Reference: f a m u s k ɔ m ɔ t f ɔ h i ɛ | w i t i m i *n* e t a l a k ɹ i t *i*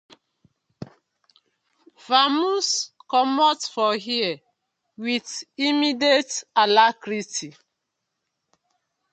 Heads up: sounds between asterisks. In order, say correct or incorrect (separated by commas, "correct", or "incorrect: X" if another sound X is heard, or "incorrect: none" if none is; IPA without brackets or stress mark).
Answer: incorrect: d, correct